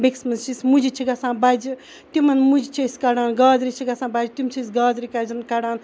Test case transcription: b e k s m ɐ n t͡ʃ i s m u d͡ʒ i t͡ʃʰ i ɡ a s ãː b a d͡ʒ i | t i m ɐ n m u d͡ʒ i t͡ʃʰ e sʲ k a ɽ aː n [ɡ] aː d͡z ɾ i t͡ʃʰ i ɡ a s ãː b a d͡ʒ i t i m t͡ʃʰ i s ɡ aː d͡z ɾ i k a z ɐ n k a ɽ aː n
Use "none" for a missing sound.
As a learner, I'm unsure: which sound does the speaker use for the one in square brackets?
ɡ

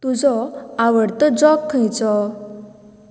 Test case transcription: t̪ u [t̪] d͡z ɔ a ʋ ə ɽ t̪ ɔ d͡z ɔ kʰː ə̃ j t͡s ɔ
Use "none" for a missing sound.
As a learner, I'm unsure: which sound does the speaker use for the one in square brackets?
none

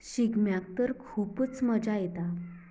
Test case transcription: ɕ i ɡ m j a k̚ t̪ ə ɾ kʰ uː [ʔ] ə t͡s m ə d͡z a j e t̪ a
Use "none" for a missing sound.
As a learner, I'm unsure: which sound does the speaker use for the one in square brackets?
p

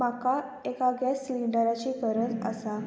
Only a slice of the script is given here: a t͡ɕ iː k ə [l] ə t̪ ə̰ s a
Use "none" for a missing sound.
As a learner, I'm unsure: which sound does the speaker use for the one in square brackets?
ɾ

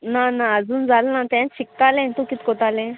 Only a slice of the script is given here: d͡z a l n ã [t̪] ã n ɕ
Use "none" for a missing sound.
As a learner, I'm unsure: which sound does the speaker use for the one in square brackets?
t̪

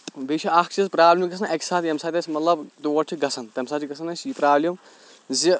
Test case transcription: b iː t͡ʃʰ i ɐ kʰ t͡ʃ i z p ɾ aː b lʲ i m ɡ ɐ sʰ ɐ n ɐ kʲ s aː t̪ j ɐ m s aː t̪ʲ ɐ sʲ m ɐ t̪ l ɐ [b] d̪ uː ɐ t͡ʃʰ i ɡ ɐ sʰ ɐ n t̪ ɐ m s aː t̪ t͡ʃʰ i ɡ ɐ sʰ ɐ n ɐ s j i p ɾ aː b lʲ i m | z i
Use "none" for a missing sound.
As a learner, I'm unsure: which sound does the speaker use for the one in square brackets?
b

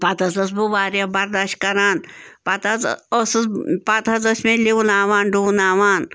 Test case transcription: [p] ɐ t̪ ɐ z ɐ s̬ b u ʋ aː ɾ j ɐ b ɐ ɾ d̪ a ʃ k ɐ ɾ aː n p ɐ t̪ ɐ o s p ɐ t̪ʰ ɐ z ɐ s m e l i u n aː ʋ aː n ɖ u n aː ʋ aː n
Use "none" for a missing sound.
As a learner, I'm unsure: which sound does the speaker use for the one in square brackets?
p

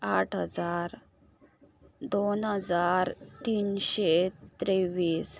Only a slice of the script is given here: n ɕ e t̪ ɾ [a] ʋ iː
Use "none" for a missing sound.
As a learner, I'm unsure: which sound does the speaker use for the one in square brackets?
e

